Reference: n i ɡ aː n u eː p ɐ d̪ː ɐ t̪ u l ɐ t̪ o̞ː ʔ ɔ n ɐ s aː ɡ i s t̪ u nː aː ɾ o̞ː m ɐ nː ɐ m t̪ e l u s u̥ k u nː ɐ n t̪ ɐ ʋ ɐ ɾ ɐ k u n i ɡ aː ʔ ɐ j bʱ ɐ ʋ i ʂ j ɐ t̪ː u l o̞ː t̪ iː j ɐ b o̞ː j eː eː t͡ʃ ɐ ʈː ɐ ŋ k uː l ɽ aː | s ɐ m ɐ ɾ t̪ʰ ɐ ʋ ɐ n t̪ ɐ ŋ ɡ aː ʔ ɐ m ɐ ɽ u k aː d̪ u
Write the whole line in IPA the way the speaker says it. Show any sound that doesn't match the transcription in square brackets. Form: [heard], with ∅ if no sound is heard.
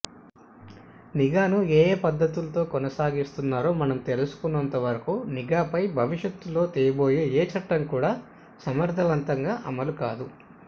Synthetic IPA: n i ɡ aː n u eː p ɐ d̪ː ɐ t̪ u l ɐ t̪ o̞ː [k] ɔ n ɐ s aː ɡ i s t̪ u nː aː ɾ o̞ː m ɐ [n] ɐ m t̪ e l u s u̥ k u nː ɐ n t̪ ɐ ʋ ɐ ɾ ɐ k u n i ɡ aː [p] ɐ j bʱ ɐ ʋ i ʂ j ɐ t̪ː u l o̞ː t̪ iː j ɐ b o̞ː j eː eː t͡ʃ ɐ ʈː ɐ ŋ k uː [∅] ɽ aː | s ɐ m ɐ ɾ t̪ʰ ɐ ʋ ɐ n t̪ ɐ ŋ ɡ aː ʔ ɐ m ɐ [l] u k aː d̪ u